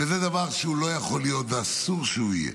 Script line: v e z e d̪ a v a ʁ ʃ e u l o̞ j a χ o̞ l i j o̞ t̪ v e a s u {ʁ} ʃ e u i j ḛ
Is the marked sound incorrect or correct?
correct